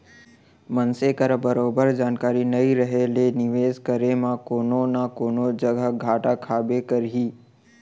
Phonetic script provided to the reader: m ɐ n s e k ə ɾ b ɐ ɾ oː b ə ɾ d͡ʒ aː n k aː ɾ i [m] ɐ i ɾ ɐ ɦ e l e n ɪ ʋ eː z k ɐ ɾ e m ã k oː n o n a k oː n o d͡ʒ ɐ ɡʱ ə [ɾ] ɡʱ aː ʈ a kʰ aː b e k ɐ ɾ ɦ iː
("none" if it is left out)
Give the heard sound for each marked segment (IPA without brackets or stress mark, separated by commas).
n, none